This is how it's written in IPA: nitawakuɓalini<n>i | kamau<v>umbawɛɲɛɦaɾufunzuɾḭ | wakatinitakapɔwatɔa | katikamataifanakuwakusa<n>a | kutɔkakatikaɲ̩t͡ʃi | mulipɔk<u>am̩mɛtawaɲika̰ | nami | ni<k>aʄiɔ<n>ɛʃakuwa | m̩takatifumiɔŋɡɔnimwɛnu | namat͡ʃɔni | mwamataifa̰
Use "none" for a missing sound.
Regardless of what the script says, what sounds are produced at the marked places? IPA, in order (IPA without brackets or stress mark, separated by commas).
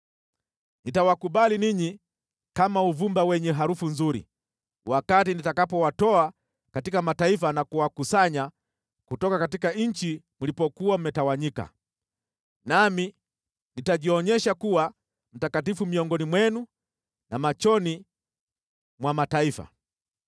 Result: ɲ, v, ɲ, u, t, ɲ